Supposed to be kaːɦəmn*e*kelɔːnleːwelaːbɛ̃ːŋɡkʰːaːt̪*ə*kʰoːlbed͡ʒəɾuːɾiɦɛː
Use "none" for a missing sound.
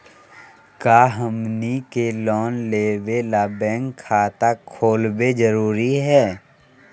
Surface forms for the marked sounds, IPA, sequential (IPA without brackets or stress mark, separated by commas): i, a